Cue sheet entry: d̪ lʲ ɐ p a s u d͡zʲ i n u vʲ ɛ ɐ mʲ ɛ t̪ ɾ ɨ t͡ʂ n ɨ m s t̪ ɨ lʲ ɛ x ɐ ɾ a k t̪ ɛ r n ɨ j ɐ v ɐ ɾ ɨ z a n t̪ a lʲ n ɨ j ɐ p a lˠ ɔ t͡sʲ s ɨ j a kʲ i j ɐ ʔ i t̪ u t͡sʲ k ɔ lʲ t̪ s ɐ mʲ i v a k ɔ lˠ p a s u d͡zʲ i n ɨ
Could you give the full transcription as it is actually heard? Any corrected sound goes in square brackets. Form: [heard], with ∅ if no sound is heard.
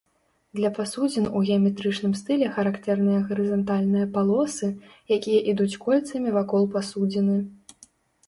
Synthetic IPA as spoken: d̪ lʲ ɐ p a s u d͡zʲ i n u [ɣʲ] ɛ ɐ mʲ ɛ t̪ ɾ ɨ t͡ʂ n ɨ m s t̪ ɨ lʲ ɛ x ɐ ɾ a k t̪ ɛ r n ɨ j ɐ [ɣ] ɐ ɾ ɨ z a n t̪ a lʲ n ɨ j ɐ p a lˠ ɔ [∅] s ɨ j a kʲ i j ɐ ʔ i [d̪] u t͡sʲ k ɔ lʲ t̪ s ɐ mʲ i v a k ɔ lˠ p a s u d͡zʲ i n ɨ